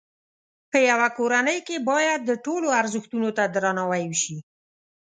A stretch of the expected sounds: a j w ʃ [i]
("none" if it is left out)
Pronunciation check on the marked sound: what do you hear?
i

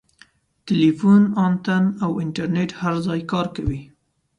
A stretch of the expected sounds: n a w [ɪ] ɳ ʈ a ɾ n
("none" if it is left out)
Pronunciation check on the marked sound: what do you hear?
ɪ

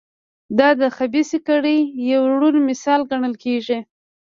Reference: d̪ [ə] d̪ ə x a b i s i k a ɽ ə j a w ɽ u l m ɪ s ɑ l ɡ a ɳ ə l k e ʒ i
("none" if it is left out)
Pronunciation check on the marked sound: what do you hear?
ɑ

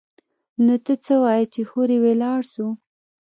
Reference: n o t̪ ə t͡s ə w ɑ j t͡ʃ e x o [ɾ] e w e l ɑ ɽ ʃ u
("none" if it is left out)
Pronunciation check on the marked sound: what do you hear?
ɾ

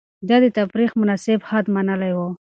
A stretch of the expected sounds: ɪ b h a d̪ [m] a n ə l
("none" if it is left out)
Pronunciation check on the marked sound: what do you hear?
m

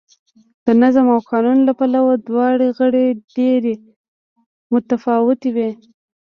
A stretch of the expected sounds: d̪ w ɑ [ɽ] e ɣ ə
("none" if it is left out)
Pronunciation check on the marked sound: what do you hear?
ɽ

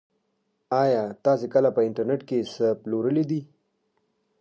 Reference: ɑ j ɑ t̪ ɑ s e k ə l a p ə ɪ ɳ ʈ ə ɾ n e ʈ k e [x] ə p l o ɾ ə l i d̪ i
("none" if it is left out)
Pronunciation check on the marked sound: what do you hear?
s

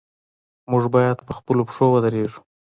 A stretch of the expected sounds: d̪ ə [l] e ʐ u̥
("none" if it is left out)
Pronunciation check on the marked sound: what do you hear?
ɾ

